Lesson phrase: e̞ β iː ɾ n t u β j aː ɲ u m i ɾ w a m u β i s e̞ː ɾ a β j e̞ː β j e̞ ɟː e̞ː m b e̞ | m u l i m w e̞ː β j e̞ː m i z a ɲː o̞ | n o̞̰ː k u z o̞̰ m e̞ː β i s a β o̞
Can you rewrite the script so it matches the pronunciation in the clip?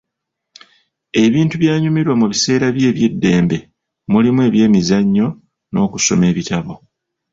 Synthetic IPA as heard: e̞ β iː n t u β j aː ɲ u m i ɾ w a m u β i s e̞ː ɾ a β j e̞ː β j e̞ dː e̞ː m b e̞ | m u l i m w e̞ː β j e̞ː m i z a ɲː o̞ | n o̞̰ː k u s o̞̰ m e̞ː β i t a β o̞